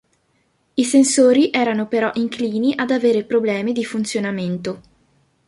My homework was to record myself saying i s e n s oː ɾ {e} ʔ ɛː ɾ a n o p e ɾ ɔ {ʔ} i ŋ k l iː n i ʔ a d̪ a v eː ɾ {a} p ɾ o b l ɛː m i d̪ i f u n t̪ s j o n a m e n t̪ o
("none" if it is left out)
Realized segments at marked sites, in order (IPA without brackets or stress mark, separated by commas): i, ʔ, e